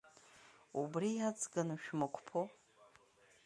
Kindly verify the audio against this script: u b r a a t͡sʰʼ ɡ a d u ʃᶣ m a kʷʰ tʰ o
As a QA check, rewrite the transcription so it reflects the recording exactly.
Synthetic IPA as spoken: u b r i a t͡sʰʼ ɡ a n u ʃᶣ m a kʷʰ pʰ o